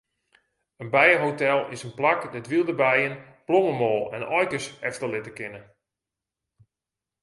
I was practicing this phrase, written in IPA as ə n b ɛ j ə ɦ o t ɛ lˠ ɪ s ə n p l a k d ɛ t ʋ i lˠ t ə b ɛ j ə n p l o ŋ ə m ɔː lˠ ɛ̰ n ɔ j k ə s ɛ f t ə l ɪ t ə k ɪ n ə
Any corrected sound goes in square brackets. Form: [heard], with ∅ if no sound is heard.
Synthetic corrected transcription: ə n b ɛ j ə ɦ o t ɛ lˠ ɪ s ə n p l a k d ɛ t ʋ i lˠ [d] ə b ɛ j ə n p l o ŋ ə m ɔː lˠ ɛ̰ n ɔ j k ə s ɛ f t ə l ɪ t ə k ɪ n ə